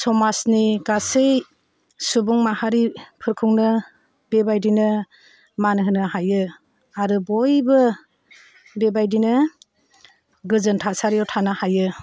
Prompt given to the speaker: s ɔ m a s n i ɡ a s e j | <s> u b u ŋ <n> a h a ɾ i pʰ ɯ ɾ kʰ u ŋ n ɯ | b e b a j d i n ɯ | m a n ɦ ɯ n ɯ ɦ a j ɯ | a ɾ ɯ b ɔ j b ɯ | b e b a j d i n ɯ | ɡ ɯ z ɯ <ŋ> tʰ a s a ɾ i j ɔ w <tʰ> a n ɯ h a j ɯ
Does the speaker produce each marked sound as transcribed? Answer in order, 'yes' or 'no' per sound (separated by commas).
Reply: yes, no, no, yes